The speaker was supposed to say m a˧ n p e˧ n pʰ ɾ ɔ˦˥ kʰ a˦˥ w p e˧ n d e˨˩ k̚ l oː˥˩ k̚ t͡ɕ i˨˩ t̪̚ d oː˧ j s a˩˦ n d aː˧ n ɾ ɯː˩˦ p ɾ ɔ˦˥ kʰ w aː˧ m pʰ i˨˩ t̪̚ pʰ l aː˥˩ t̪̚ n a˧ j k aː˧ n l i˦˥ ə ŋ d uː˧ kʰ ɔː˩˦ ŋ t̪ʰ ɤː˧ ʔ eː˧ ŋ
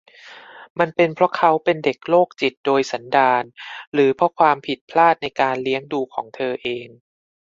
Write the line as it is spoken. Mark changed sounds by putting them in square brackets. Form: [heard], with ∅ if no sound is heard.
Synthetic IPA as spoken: m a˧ n p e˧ n pʰ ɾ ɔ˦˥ kʰ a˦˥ w p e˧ n d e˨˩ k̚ l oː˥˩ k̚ t͡ɕ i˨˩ t̪̚ d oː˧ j s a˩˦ n d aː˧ n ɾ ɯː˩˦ [pʰ] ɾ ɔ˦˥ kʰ w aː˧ m pʰ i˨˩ t̪̚ pʰ l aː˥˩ t̪̚ n a˧ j k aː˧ n l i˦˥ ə ŋ d uː˧ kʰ ɔː˩˦ ŋ t̪ʰ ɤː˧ ʔ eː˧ ŋ